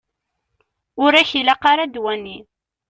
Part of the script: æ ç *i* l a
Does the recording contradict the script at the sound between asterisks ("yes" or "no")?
no